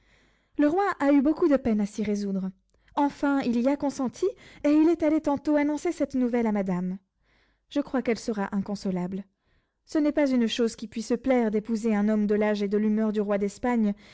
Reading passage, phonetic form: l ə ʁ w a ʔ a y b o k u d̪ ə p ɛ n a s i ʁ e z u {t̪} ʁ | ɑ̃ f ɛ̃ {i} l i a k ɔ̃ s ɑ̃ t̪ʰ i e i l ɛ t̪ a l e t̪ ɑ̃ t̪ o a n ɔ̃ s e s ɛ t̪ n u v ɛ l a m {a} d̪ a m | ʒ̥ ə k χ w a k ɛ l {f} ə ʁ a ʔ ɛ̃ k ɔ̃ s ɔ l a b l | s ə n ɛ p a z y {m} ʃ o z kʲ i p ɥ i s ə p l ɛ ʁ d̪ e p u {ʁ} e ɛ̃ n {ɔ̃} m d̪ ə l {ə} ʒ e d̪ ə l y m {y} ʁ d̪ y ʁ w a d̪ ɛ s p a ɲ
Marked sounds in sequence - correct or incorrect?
incorrect: d̪, correct, correct, incorrect: s, incorrect: n, incorrect: z, incorrect: ɔ, incorrect: a, incorrect: œ

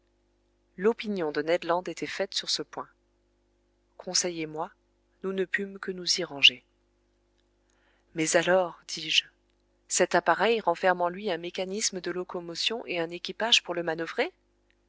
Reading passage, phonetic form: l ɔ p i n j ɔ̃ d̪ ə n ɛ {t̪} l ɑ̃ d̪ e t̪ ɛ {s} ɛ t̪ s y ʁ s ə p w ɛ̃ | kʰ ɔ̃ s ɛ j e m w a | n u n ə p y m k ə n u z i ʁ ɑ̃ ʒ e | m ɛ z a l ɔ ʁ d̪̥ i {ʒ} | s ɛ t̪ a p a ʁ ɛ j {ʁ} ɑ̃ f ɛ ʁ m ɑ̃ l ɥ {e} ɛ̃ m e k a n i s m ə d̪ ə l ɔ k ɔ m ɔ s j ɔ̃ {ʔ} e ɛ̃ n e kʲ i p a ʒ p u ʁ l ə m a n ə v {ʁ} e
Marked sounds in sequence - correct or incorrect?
incorrect: d̪, incorrect: f, correct, correct, incorrect: i, correct, correct

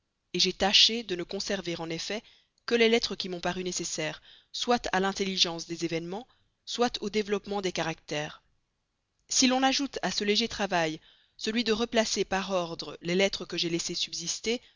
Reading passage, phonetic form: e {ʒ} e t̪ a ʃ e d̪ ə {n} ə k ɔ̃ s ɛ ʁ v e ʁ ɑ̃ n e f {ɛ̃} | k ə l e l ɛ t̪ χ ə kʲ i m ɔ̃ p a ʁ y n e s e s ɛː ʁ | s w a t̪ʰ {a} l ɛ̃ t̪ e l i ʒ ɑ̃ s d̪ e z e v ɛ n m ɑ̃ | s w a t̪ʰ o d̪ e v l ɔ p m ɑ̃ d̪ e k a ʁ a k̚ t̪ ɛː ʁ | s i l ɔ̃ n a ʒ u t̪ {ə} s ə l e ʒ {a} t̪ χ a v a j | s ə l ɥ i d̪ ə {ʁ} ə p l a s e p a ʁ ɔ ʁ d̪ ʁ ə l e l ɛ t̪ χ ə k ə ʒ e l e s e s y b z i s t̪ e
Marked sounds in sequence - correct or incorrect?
correct, correct, incorrect: ɛ, correct, incorrect: a, incorrect: e, correct

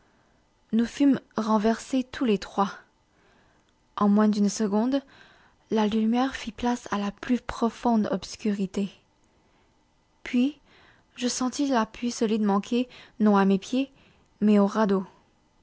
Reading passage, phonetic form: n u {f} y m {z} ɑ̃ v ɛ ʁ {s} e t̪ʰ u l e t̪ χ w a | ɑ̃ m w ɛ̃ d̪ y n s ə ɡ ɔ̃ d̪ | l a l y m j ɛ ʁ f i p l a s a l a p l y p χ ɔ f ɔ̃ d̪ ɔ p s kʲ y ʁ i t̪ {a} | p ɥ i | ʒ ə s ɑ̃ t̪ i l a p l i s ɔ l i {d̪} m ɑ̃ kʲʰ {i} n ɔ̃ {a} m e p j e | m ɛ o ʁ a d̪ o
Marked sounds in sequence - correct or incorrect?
correct, incorrect: ʁ, correct, incorrect: e, correct, incorrect: e, correct

